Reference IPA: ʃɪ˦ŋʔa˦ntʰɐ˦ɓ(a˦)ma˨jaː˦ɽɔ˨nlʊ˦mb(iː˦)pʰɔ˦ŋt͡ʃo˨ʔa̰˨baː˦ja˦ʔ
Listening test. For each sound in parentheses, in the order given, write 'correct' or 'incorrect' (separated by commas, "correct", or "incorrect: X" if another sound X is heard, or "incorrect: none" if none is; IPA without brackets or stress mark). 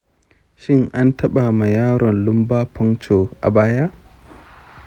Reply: incorrect: a˨, incorrect: aː˦